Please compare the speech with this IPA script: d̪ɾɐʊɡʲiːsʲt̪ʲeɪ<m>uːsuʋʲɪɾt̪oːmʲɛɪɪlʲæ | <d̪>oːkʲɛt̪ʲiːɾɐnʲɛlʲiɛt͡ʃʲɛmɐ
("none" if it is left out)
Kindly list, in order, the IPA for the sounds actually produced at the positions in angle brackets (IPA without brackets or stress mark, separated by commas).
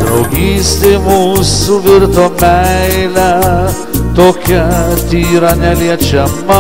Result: m, t̪